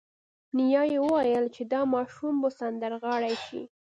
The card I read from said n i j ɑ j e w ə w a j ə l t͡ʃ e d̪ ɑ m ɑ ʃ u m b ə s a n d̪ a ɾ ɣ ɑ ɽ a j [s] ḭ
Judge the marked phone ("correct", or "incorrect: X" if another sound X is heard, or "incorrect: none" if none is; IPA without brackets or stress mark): incorrect: ʃ